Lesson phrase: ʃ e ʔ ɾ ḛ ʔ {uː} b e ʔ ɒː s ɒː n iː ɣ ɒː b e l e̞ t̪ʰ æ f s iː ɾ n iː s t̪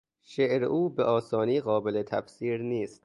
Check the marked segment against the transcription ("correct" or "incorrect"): correct